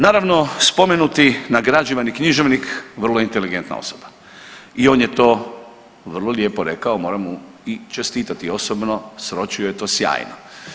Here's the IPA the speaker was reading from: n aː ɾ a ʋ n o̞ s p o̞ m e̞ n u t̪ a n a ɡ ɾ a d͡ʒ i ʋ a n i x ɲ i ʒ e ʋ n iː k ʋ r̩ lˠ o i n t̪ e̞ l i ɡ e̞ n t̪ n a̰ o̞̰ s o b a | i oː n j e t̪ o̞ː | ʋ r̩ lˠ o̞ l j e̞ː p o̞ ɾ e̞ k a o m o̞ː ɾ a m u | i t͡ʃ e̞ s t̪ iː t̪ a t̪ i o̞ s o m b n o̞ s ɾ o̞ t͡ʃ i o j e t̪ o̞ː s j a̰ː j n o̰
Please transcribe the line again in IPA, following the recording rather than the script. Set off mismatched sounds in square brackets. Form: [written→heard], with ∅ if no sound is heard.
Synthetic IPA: n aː ɾ a ʋ n o̞ s p o̞ m e̞ n u t̪ [a→i] n a ɡ ɾ a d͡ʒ i ʋ a n i [x→k] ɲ i ʒ e ʋ n [iː→i] k ʋ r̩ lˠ o i n t̪ e̞ l i ɡ e̞ n t̪ n a̰ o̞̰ s o b a | i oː n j e t̪ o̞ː | ʋ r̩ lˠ o̞ l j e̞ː p o̞ ɾ e̞ k a o m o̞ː ɾ a m u | i t͡ʃ e̞ s t̪ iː t̪ a t̪ i o̞ s o [m→∅] b n o̞ s ɾ o̞ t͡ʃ i o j e t̪ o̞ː s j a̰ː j n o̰